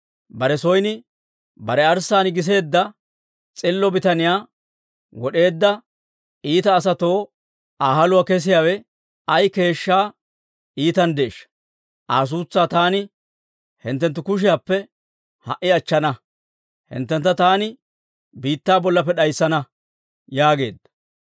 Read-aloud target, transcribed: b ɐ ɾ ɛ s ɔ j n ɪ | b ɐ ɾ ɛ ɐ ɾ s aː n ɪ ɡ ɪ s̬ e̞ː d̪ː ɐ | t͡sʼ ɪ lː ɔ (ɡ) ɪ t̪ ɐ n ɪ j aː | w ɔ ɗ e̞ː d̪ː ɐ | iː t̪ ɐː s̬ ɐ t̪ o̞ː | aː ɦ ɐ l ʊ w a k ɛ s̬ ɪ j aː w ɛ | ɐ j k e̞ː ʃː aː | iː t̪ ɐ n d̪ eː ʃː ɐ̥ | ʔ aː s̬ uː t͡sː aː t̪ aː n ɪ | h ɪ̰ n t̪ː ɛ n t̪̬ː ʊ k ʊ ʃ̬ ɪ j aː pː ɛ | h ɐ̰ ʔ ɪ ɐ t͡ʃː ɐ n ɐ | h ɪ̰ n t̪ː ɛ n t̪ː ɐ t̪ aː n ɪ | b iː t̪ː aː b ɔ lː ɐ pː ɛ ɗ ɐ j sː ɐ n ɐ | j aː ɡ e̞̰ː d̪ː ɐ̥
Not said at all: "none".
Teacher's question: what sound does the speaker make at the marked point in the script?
b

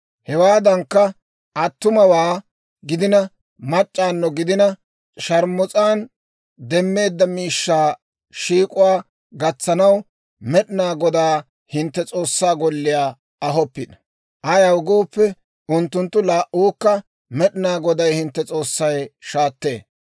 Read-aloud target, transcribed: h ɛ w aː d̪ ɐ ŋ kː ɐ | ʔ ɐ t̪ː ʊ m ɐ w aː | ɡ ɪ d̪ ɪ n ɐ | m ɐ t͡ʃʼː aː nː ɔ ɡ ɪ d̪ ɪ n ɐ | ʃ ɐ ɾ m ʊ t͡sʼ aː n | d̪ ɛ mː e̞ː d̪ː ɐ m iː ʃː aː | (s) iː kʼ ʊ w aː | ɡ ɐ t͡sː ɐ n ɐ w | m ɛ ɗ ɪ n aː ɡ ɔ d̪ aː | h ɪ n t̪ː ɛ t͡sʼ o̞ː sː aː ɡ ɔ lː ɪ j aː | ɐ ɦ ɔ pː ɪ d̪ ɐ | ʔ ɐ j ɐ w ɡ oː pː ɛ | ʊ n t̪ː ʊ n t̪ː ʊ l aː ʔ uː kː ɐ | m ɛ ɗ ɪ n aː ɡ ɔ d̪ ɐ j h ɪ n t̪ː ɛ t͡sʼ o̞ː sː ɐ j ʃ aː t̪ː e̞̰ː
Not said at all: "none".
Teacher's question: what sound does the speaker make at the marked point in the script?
ʃ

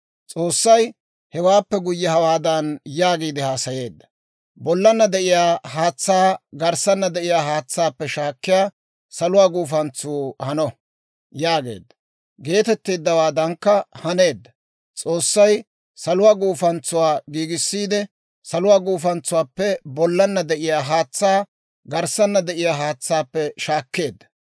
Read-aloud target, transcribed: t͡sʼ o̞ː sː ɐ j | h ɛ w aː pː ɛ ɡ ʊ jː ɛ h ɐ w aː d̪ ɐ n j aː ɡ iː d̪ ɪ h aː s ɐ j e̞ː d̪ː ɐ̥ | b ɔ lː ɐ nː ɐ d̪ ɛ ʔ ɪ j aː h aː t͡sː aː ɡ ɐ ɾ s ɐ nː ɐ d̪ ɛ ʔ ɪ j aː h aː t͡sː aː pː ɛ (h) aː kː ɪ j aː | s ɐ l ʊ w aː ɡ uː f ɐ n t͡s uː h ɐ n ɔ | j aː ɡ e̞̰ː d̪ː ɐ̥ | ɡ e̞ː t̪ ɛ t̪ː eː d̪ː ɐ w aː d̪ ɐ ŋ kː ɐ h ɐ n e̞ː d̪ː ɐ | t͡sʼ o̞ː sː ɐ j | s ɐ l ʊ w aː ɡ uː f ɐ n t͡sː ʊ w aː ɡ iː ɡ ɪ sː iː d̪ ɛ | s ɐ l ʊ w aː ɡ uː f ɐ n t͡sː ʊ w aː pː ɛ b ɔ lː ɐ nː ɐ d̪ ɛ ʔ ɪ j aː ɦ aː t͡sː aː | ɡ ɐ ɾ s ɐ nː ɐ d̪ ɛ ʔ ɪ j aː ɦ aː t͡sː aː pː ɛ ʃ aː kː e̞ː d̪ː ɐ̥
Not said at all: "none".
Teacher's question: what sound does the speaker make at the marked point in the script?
ʃ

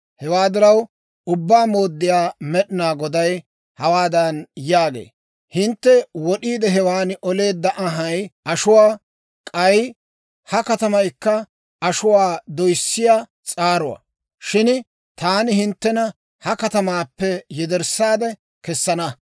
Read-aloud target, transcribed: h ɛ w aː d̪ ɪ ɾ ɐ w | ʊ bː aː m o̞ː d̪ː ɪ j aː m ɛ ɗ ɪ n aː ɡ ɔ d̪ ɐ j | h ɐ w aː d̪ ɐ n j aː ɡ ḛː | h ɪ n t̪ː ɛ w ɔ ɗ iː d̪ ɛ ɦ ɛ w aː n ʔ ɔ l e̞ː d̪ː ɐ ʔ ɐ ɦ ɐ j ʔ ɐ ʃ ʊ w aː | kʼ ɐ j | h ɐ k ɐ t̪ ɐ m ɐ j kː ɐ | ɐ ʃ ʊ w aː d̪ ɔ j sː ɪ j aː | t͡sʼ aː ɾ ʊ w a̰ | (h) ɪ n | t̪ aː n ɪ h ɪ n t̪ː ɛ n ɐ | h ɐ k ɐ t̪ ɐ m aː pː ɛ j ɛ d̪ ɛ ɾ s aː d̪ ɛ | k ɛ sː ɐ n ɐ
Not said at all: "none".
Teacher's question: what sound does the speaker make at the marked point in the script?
ʃ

